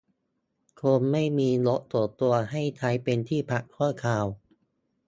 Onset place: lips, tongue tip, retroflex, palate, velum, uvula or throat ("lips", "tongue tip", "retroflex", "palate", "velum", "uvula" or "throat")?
velum